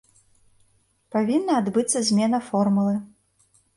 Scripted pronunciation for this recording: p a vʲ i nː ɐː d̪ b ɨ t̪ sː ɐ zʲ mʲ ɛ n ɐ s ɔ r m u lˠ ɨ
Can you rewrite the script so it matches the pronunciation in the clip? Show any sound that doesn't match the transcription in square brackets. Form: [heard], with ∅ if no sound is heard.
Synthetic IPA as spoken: p a vʲ i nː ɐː d̪ b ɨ t̪ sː ɐ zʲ mʲ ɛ n ɐ [f] ɔ r m u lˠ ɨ